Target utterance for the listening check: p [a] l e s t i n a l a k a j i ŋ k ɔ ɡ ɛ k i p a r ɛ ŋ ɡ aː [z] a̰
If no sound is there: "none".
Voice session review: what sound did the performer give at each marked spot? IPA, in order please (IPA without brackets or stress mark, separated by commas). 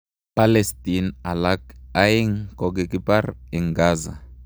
a, z